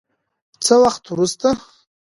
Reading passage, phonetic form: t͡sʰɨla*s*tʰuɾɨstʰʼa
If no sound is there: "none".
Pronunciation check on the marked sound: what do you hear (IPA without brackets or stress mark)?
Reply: χ